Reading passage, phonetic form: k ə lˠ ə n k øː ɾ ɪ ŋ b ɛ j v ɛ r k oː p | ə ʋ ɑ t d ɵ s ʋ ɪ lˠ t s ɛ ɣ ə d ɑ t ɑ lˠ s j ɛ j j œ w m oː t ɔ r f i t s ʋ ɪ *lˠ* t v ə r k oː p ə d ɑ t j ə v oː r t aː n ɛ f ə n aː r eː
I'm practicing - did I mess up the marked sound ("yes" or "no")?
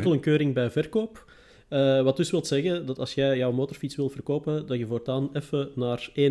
no